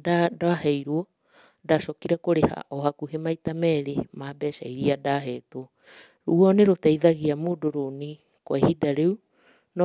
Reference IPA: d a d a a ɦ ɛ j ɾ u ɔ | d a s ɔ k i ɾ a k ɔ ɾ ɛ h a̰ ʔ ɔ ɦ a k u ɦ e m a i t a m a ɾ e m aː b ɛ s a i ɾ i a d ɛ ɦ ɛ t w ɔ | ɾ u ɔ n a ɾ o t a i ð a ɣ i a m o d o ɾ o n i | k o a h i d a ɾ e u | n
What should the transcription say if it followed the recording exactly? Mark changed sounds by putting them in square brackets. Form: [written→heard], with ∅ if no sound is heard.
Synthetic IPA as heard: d a d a a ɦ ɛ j ɾ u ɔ | d a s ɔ k i ɾ a k [ɔ→o] ɾ [ɛ→e] h a̰ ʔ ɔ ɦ a k u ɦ e m a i t a m [a→ɛ] ɾ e m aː b ɛ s a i ɾ i a d [ɛ→a] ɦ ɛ t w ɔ | ɾ u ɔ n [a→e] ɾ o t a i ð a ɣ i a m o d o ɾ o n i | k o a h i d a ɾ e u | n